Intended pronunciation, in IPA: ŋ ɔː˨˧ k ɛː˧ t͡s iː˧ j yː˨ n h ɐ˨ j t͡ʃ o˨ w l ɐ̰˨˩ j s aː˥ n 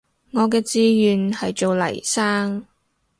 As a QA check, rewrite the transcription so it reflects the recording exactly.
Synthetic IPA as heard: ŋ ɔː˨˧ k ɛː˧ t͡s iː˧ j yː˨ n h ɐ˨ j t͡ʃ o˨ w l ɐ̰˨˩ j s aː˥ ŋ